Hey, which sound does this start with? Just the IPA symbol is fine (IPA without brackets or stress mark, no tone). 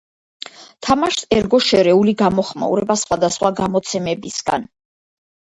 t̪ʰ